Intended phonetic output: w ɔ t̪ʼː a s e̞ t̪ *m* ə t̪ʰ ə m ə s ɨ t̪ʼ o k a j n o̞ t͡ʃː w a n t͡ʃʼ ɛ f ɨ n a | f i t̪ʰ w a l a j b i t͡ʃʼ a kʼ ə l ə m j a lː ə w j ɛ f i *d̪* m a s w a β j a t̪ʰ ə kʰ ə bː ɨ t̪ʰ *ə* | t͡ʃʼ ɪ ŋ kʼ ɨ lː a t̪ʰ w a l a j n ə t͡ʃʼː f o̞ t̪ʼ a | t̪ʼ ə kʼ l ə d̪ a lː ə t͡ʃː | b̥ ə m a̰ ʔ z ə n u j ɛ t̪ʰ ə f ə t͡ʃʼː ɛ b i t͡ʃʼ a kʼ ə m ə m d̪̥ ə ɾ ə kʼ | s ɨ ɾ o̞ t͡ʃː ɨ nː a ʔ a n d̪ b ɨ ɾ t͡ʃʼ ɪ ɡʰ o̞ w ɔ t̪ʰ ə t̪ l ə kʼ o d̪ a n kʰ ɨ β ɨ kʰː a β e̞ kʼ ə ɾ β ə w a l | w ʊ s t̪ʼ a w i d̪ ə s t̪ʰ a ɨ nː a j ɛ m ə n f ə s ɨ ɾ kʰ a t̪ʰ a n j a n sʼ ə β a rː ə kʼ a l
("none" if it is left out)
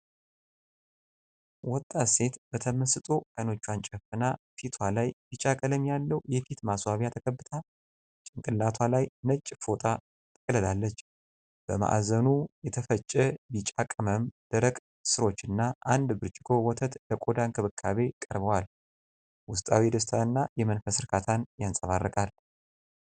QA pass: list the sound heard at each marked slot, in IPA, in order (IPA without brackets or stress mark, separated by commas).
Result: b, t̪, a